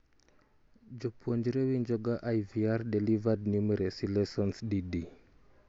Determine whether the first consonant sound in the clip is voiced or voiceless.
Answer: voiced